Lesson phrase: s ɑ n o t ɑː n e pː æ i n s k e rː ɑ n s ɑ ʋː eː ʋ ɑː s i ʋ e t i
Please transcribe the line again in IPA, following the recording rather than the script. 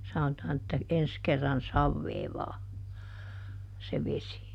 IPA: s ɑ n o t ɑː n e tː æ e n s k e rː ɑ n s ɑ ʋː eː ʋ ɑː s e ʋ e s i